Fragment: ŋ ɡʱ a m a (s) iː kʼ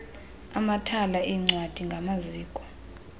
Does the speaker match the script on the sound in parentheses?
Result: no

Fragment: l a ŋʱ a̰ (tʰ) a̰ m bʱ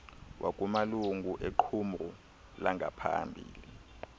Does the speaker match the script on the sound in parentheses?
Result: no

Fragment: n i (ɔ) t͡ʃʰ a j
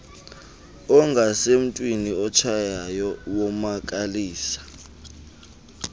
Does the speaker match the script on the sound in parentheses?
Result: yes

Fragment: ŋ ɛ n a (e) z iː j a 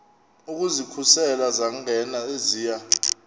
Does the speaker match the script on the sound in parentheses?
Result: yes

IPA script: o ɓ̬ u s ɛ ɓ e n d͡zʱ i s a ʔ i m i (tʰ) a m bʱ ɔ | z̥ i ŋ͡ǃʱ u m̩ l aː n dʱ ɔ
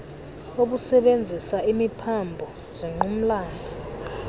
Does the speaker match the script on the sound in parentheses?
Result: no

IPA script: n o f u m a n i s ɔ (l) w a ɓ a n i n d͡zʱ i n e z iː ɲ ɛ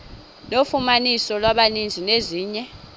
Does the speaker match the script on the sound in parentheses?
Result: yes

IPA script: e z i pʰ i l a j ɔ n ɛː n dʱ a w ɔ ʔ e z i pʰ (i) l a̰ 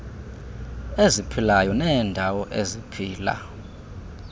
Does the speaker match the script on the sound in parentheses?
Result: no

